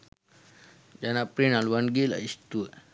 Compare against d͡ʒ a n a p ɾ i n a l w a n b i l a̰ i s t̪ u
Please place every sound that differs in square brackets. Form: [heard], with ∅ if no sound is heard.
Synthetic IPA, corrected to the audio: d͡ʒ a n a p ɾ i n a l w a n [ɡ] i l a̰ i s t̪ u